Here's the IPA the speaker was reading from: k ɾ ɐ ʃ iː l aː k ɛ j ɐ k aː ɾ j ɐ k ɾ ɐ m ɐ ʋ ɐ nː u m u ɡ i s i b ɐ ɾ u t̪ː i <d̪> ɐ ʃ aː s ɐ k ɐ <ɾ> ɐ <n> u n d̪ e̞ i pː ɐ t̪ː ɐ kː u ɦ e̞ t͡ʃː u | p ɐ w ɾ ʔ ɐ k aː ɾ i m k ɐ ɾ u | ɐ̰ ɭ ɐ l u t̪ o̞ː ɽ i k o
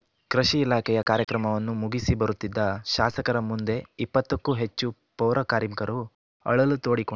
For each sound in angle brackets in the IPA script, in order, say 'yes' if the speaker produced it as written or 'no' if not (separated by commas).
no, yes, no